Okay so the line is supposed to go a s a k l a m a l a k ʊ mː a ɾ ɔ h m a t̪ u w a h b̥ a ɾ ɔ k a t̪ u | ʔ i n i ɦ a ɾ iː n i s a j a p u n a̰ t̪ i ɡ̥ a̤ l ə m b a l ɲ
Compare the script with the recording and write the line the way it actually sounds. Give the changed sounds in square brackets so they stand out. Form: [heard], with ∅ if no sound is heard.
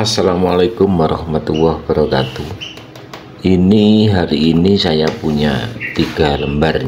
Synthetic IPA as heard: a s a [∅] l a m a l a k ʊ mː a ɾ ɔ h m a t̪ u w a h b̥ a ɾ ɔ k a t̪ u | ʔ i n i ɦ a ɾ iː n i s a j a p u [ɲ] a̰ t̪ i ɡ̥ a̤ l ə m b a [r] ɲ